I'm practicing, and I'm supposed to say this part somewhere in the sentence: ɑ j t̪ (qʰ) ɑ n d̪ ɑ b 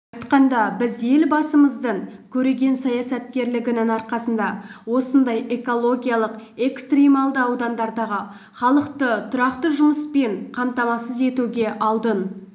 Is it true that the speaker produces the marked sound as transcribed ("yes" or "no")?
no